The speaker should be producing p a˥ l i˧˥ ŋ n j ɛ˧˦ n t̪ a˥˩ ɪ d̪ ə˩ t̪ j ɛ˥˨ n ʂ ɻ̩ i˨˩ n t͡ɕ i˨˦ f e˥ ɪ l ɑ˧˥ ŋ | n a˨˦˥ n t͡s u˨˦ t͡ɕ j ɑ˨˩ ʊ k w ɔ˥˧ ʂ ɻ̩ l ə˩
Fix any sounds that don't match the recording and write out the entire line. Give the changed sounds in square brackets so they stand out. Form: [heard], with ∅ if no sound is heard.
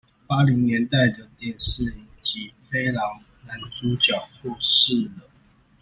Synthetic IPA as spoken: p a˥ l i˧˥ ŋ n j ɛ˧˦ n t̪ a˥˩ ɪ d̪ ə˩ t̪ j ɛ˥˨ n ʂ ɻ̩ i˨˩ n t͡ɕ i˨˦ f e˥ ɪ l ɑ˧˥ ŋ | n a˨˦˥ n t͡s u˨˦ t͡ɕ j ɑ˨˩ ʊ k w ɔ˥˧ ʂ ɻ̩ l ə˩